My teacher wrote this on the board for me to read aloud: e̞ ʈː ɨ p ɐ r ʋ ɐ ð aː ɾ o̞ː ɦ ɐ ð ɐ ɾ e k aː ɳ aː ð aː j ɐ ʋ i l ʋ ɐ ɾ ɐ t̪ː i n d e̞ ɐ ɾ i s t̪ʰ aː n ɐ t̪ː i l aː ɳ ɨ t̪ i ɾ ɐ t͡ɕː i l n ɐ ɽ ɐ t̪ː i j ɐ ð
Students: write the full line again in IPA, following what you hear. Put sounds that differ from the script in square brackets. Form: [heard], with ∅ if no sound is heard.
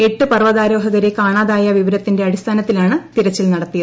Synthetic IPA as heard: e̞ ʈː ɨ p ɐ r ʋ ɐ ð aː ɾ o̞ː ɦ ɐ [ɣ] ɐ ɾ e k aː ɳ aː ð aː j ɐ ʋ i [∅] ʋ ɐ ɾ ɐ t̪ː i n d e̞ ɐ [ɽ] i s t̪ʰ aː n ɐ t̪ː i l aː ɳ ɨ t̪ i ɾ ɐ t͡ɕː i l n ɐ ɽ ɐ t̪ː i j ɐ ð